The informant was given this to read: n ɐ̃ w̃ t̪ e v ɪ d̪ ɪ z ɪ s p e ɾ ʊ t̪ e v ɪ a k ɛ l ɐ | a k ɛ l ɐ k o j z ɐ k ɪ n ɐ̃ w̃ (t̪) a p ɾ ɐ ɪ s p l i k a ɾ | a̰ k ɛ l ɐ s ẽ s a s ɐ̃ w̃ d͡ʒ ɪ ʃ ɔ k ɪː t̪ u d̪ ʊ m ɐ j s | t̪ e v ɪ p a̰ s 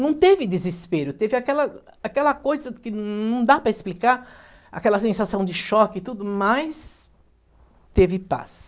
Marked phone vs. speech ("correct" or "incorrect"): incorrect